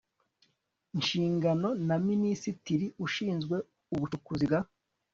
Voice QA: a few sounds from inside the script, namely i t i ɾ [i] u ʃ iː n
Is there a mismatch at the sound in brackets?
no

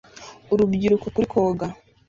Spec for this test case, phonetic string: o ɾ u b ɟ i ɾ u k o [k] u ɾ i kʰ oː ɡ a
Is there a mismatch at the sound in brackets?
no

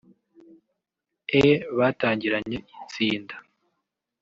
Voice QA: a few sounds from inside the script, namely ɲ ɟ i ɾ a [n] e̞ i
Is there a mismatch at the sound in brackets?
yes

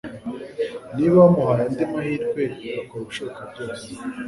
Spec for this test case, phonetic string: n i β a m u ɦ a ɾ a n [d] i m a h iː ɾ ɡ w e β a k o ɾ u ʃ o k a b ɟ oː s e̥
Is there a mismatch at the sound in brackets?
no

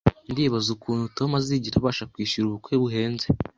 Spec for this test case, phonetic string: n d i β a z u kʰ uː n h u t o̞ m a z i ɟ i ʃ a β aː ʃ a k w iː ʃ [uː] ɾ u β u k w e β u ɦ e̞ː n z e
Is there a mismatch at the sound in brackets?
yes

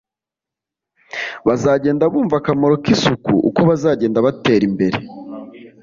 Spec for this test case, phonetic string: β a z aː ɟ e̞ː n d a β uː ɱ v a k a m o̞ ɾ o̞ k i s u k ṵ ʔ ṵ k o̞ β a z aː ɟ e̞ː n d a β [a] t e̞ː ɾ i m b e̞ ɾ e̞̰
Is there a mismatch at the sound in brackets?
no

